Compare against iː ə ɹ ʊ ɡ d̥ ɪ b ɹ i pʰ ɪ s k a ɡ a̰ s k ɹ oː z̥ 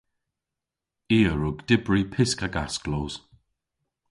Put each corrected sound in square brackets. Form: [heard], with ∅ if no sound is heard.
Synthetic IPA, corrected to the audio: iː ə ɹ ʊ ɡ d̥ ɪ b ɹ i pʰ ɪ s k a ɡ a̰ s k [l] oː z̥

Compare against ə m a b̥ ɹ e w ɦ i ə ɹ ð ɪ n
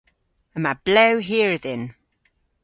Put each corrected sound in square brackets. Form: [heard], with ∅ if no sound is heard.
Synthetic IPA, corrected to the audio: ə m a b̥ [l] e w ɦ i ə ɹ ð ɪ n

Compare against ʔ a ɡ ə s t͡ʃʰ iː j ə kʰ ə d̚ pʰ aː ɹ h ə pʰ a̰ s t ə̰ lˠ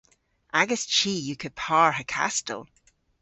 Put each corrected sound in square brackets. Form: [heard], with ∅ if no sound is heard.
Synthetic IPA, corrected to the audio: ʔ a ɡ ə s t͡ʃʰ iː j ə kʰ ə d̚ pʰ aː ɹ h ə [kʰ] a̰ s t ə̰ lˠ

